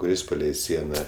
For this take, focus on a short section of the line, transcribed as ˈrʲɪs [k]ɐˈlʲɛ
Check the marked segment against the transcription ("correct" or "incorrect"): incorrect